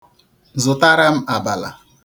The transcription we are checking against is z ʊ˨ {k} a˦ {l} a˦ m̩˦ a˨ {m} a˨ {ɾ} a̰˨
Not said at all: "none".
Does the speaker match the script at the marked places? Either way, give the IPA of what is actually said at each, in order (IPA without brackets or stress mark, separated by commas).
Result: t, ɾ, b, l